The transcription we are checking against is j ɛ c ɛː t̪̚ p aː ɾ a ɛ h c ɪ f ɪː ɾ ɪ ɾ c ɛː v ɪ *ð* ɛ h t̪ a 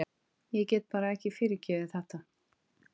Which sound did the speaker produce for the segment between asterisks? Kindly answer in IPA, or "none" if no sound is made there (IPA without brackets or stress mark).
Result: θ